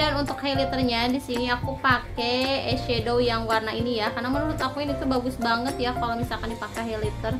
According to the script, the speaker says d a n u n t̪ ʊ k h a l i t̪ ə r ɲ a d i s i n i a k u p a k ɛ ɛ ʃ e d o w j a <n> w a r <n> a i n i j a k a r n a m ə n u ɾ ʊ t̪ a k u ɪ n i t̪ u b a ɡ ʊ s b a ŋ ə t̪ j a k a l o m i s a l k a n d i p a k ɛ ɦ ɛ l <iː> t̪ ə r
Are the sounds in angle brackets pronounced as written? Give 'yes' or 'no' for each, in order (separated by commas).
no, yes, no